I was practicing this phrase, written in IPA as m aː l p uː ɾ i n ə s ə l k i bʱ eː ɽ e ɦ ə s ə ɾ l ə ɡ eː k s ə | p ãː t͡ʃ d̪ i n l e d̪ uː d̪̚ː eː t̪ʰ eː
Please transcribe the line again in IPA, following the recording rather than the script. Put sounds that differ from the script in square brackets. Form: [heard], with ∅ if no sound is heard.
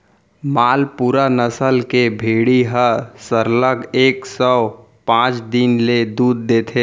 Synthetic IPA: m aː l p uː ɾ [a] n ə s ə l k [e] bʱ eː ɽ [i] ɦ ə s ə ɾ l ə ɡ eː k s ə | p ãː t͡ʃ d̪ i n l e d̪ uː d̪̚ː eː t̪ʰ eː